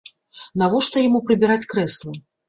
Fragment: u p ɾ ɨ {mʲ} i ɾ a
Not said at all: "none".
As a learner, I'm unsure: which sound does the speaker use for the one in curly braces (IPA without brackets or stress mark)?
bʲ